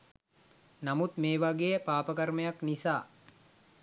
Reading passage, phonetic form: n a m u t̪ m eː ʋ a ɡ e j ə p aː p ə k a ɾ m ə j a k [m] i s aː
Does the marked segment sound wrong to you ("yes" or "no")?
yes